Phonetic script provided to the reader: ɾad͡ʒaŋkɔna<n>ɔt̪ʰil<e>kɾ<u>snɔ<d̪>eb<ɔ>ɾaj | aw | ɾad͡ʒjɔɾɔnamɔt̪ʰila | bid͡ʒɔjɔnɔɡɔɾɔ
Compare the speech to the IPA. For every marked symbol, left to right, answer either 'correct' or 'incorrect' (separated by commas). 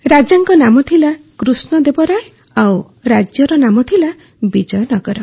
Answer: incorrect, incorrect, correct, correct, correct